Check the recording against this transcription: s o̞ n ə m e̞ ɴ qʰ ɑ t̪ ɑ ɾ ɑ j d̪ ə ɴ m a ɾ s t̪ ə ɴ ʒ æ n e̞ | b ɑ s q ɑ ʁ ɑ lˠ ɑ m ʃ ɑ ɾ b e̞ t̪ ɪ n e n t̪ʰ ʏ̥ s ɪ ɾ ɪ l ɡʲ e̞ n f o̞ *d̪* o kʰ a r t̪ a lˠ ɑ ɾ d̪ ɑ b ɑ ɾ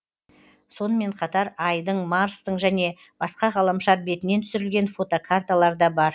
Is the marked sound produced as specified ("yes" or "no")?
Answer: no